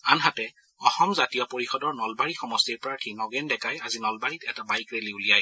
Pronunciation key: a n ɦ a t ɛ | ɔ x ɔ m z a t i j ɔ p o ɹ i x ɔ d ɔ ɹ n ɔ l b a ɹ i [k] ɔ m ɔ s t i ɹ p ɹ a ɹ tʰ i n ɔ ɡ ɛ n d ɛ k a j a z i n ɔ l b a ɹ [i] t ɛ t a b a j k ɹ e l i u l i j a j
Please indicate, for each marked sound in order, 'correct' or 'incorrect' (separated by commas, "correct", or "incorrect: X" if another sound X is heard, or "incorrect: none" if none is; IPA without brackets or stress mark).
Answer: incorrect: x, correct